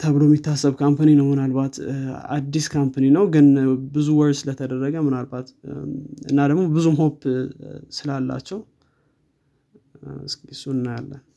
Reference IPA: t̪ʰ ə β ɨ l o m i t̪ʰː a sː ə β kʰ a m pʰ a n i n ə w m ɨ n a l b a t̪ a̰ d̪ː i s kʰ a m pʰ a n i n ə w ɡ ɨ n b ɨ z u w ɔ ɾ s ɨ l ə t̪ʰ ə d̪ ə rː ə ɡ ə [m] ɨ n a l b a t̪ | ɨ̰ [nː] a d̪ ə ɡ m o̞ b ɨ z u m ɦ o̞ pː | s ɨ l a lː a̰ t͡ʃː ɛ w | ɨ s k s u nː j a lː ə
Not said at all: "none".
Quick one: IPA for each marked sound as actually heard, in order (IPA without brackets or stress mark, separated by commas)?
m, nː